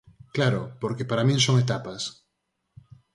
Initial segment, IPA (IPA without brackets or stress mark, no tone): k